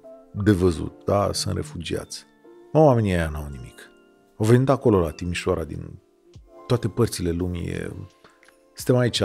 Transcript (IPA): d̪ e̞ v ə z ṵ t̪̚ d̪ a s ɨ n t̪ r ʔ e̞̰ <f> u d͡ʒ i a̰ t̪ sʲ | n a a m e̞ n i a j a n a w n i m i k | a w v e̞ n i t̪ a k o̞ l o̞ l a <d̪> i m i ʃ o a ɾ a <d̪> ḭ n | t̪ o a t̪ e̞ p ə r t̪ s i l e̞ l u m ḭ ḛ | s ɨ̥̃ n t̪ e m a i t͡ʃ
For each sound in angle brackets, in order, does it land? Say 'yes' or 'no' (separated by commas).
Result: yes, no, yes